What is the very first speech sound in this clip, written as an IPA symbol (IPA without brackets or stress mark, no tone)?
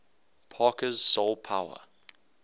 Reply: pʰ